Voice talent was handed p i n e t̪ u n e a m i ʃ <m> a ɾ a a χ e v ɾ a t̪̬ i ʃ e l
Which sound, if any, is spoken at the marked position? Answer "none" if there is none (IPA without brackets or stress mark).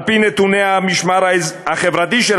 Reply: m